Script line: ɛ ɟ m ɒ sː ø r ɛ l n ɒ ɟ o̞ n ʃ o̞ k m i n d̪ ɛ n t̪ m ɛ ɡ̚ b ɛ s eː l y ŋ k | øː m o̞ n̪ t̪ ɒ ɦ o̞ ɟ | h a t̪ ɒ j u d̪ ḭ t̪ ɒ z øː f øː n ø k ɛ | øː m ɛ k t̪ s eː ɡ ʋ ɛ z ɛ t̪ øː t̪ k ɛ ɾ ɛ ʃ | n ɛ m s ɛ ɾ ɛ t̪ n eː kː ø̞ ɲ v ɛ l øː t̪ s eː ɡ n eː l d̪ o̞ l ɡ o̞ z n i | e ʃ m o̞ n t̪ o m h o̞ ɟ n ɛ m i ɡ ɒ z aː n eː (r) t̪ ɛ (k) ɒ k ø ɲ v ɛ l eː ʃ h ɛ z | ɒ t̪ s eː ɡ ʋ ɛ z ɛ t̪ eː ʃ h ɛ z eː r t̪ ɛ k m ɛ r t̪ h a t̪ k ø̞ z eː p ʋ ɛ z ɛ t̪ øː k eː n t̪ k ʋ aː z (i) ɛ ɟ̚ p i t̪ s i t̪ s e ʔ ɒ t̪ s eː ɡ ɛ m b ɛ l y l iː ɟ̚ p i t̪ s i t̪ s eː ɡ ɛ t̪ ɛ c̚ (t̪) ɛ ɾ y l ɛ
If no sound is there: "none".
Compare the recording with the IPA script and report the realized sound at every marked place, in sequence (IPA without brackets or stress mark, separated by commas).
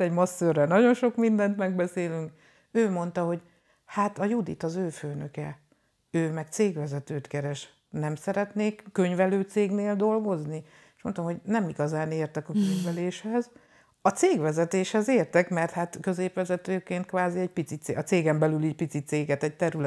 r, k, i, t̪